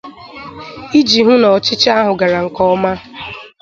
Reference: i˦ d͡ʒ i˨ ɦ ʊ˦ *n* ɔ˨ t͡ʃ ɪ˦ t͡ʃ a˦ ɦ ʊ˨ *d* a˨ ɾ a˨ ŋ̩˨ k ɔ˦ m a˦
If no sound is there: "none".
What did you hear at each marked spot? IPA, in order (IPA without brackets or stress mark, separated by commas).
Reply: n, ɡ